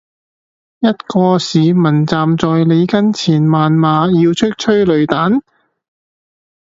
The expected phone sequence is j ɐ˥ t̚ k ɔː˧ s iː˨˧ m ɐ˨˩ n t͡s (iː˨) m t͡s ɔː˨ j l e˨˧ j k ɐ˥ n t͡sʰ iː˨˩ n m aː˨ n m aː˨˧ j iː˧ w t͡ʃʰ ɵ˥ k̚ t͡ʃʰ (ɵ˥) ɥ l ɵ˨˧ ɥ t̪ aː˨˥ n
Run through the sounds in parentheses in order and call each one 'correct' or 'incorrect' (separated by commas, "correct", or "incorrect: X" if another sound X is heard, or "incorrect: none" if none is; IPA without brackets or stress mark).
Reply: incorrect: aː˨, correct